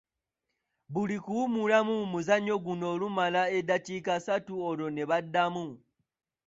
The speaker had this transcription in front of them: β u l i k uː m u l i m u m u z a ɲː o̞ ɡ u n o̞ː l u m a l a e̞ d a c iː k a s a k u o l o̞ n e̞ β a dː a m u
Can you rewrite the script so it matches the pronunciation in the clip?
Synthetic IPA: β u l i k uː m u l a m u m u z a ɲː o̞ ɡ u n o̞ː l u m a l a e̞ d a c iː k a s a t u o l o̞ n e̞ β a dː a m u